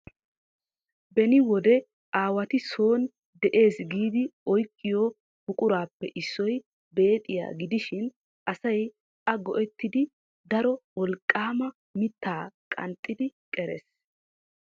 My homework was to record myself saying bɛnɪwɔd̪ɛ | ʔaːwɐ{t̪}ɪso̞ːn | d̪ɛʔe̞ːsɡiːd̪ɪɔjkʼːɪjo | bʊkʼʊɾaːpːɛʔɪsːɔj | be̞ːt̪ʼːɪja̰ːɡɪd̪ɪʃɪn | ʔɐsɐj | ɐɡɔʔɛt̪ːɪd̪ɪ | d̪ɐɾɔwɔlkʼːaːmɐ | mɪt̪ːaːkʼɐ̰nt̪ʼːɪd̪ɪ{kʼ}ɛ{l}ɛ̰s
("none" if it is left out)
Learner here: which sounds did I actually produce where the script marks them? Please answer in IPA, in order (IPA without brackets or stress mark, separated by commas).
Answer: t̪, kʼ, ɾ